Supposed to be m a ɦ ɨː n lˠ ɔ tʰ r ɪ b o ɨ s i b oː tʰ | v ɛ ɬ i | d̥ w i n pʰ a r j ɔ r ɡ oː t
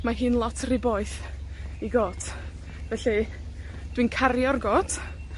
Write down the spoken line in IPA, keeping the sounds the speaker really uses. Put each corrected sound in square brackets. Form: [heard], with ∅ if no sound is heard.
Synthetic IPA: m a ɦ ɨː n lˠ ɔ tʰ r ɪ b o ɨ [θ] i [ɡ] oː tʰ | v ɛ ɬ i | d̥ w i n [kʰ] a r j ɔ r ɡ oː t